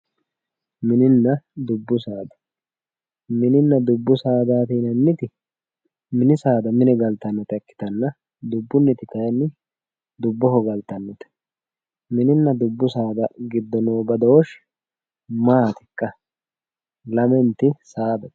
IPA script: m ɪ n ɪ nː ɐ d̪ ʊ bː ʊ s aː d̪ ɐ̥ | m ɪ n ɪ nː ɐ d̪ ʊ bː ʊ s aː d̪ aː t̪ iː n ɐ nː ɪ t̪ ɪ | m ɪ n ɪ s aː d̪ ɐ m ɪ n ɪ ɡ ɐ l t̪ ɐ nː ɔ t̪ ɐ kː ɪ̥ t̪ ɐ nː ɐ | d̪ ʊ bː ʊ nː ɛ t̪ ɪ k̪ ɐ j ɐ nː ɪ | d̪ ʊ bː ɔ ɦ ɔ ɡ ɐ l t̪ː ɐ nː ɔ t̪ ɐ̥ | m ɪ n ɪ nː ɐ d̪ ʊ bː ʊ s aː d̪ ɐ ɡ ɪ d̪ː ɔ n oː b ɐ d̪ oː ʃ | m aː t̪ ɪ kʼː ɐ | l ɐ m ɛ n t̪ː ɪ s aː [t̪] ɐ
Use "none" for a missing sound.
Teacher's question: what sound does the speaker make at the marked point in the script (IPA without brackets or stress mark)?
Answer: d̪